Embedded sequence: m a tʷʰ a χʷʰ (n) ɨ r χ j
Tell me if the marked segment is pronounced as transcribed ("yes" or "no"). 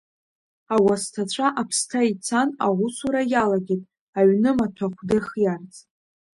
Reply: no